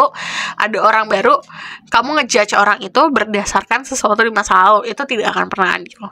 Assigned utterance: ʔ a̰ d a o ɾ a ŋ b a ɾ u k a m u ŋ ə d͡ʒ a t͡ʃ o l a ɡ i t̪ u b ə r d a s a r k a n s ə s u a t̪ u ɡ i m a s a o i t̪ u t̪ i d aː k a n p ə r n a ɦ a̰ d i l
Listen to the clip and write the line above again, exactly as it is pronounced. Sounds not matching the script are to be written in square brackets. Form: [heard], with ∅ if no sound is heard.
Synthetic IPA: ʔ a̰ d a o ɾ a ŋ b a ɾ u k a m u ŋ ə d͡ʒ a t͡ʃ o [ɾ] a [ŋ] i t̪ u b ə r d a s a r k a n s ə s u a t̪ u [d] i m a s a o i t̪ u t̪ i d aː k a n p ə r n a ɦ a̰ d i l

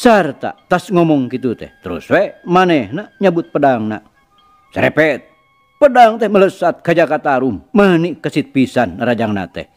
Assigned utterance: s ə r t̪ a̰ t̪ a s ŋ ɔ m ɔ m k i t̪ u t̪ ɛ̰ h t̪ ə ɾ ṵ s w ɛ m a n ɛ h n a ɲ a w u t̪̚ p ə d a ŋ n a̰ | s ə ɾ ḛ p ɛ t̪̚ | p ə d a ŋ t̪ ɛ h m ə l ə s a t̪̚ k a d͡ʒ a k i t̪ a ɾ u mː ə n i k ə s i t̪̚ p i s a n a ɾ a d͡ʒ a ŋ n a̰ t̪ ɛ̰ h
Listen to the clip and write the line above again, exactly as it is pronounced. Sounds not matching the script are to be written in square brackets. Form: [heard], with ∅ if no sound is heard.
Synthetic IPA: s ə r t̪ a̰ t̪ a s ŋ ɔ m ɔ [ŋ] k i t̪ u t̪ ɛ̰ h t̪ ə ɾ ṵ s w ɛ m a n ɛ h n a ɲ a [b] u t̪̚ p ə d a ŋ n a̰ | s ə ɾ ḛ p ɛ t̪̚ | p ə d a ŋ t̪ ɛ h m ə l ə s a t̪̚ k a d͡ʒ a k [a] t̪ a ɾ u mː ə n i k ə s i t̪̚ p i s a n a ɾ a d͡ʒ a ŋ n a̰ t̪ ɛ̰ h

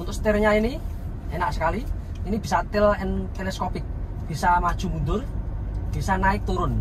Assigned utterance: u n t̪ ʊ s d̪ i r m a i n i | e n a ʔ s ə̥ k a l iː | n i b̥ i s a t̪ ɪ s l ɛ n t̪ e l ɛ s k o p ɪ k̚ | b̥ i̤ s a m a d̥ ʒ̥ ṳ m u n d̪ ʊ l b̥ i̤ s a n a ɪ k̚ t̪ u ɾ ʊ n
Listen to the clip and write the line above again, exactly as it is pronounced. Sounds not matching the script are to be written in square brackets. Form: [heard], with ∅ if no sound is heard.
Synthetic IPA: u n t̪ ʊ s [t̪] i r [ɲ] a i n i | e n a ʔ s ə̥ k a l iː | n i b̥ i s a t̪ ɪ [∅] l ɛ n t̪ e l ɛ s k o p ɪ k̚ | b̥ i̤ s a m a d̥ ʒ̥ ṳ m u n d̪ ʊ [r] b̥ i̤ s a n a ɪ k̚ t̪ u ɾ ʊ n

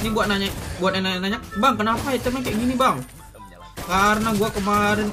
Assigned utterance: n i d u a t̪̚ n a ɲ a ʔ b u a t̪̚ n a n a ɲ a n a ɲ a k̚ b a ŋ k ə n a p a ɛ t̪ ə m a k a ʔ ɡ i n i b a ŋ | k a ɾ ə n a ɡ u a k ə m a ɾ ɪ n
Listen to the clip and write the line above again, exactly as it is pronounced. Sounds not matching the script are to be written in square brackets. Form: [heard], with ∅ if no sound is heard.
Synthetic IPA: n i [b] u a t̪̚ n a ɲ a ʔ b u a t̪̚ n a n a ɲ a n a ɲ a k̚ b a ŋ k ə n a p a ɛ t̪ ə m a k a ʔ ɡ i n i b a ŋ | k a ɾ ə n a ɡ u a k ə m a ɾ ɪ n

